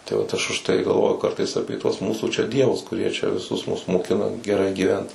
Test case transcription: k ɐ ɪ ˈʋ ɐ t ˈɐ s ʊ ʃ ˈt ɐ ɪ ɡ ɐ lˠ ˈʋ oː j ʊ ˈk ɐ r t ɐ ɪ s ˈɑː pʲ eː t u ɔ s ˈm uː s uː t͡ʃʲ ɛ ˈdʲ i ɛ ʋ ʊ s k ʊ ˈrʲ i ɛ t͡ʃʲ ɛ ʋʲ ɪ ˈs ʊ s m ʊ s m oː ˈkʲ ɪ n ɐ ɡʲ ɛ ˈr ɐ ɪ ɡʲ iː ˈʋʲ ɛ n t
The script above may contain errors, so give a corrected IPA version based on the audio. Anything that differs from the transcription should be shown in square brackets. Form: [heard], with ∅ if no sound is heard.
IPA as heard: [t] ɐ ɪ ˈʋ ɐ t ˈɐ [ʃ] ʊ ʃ ˈt ɐ ɪ ɡ ɐ lˠ ˈʋ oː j ʊ ˈk ɐ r t ɐ ɪ s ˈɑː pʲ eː t u ɔ s ˈm uː s uː t͡ʃʲ ɛ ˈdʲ i ɛ ʋ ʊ s k ʊ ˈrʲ i ɛ t͡ʃʲ ɛ ʋʲ ɪ ˈs ʊ s m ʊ s m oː ˈkʲ ɪ n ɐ ɡʲ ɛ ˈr ɐ ɪ ɡʲ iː ˈʋʲ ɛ n t